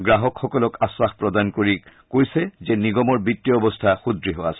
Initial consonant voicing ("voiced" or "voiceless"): voiced